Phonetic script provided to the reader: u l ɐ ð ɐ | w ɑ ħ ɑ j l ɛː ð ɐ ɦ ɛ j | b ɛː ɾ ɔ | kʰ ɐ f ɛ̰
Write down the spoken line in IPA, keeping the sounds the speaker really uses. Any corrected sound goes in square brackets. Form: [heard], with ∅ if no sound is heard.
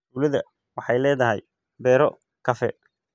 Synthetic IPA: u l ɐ ð ɐ | w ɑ ħ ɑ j l ɛː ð ɐ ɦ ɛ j | b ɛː ɾ ɔ | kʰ ɐ f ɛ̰